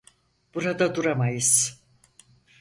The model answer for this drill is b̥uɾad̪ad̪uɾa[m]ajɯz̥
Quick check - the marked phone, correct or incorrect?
correct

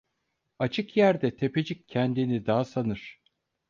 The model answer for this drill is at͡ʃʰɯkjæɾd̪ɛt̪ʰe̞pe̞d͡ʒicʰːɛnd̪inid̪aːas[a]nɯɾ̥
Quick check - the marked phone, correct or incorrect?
correct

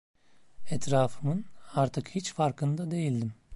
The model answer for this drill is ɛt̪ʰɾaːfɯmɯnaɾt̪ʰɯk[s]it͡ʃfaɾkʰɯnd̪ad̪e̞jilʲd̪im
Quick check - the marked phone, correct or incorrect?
incorrect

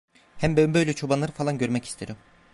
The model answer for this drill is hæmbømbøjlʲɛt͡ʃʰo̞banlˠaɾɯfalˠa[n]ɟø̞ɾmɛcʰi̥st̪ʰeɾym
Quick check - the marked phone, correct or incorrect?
correct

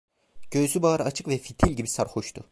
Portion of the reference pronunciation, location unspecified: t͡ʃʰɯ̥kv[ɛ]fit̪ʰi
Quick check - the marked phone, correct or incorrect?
correct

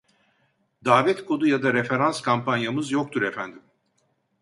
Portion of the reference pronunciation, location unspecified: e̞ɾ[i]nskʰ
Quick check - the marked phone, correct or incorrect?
incorrect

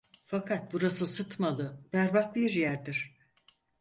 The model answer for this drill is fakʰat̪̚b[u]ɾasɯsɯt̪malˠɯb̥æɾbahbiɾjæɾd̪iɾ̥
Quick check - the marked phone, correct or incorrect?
correct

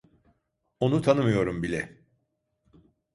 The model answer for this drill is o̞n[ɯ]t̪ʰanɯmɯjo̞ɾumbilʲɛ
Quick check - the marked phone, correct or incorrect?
incorrect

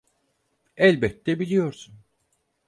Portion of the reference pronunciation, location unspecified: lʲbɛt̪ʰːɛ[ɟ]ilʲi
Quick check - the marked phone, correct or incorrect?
incorrect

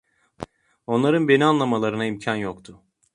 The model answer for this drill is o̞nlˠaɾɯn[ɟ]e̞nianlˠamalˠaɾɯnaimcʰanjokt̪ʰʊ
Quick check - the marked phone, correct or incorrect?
incorrect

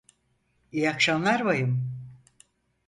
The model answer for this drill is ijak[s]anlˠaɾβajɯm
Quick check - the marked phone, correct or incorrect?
incorrect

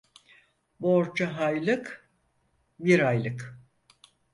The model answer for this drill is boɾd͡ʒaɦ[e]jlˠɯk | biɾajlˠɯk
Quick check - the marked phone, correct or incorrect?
incorrect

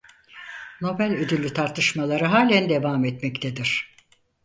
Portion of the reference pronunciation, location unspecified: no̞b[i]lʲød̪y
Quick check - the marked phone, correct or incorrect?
incorrect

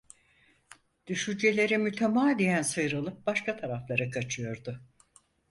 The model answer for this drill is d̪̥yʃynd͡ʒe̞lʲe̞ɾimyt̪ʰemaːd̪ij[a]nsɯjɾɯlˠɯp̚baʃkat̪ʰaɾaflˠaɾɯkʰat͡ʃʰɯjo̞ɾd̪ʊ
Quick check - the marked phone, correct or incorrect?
incorrect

